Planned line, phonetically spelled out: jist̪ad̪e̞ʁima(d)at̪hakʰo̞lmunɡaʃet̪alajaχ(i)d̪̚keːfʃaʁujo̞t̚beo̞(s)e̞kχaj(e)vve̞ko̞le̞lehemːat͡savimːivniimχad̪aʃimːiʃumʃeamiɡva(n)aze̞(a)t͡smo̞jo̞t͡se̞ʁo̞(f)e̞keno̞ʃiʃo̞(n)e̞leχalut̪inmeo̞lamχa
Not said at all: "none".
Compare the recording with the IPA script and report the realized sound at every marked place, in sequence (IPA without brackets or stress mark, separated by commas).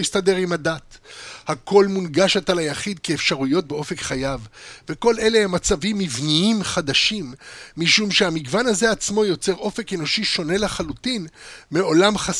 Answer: d, i, f, a, n, a, f, n